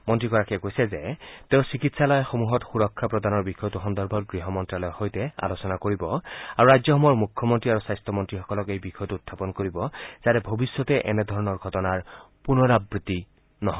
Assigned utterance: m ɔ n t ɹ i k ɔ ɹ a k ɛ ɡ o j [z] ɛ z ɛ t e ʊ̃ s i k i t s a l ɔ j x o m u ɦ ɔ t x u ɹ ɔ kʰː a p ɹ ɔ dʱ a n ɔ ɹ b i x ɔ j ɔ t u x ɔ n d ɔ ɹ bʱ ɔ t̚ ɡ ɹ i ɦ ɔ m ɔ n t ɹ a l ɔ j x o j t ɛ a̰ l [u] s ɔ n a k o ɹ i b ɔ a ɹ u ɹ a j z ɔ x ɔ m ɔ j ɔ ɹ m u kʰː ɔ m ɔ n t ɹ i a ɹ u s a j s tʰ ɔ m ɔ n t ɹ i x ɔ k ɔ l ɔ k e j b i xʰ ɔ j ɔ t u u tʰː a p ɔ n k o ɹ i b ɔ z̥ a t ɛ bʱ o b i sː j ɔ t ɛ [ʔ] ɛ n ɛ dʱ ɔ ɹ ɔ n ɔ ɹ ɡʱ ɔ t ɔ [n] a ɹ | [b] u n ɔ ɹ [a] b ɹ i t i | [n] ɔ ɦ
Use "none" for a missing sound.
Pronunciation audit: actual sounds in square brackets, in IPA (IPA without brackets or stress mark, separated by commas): s, o, ʔ, n, p, a, n